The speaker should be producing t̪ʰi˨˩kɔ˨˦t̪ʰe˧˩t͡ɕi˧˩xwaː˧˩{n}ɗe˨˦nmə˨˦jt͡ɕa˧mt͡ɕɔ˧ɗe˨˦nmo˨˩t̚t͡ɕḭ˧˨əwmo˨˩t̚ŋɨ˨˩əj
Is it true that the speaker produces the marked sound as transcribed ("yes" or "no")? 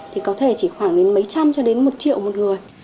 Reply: no